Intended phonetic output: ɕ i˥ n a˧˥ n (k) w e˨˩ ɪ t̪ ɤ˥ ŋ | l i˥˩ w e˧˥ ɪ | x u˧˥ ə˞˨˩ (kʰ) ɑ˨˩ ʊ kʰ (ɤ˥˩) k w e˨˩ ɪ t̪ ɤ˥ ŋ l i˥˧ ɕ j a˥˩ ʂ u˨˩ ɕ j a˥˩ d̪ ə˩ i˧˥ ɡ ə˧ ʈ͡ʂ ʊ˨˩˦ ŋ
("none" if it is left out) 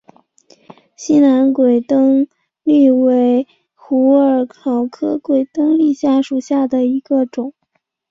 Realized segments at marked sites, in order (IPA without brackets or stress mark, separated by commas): k, kʰ, ɤ˥